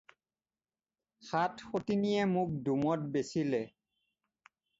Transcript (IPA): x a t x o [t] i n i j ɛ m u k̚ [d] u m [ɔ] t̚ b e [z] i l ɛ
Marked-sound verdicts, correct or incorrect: correct, correct, correct, incorrect

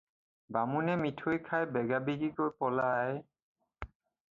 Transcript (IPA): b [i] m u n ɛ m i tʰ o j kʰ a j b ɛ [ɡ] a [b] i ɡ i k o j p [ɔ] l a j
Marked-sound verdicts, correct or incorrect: incorrect, correct, correct, correct

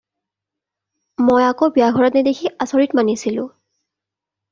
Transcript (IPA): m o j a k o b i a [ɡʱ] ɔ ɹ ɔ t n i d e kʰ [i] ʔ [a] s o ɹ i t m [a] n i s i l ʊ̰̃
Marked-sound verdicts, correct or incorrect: correct, correct, correct, correct

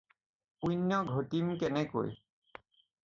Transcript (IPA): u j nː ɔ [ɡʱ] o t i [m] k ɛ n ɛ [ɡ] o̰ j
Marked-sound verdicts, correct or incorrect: correct, correct, incorrect

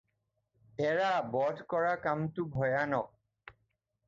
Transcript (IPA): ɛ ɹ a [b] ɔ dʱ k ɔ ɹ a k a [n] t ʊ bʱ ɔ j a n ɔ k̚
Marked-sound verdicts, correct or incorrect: correct, incorrect

